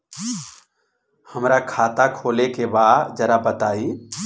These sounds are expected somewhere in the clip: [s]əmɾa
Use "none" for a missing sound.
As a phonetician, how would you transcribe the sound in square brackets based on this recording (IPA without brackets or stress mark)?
h